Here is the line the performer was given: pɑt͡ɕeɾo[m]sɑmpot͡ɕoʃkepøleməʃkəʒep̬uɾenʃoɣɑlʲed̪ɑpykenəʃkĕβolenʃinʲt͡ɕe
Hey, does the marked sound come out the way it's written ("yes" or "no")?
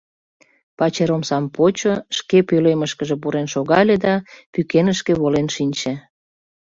yes